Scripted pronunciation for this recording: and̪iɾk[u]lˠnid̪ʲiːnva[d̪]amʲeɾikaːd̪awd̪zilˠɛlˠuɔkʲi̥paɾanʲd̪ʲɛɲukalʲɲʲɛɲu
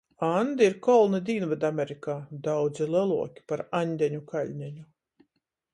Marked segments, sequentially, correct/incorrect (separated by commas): incorrect, correct